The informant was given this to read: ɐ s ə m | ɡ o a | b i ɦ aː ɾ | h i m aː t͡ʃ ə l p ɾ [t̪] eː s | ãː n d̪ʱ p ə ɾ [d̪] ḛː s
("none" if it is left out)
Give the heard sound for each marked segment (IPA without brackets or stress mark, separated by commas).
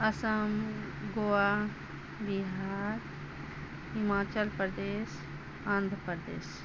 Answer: d̪, d̪